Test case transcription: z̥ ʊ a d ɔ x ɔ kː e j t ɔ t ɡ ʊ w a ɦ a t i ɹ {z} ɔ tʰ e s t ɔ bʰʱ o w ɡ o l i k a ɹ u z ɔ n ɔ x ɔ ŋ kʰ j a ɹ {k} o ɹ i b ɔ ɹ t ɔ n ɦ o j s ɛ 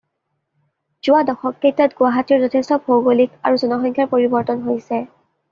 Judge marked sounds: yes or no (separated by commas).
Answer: yes, no